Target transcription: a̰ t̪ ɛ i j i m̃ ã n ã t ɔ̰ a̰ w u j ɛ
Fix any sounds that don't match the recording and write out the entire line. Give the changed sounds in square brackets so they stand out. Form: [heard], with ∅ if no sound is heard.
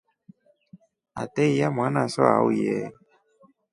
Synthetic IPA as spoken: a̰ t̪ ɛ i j [a] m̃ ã n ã [s] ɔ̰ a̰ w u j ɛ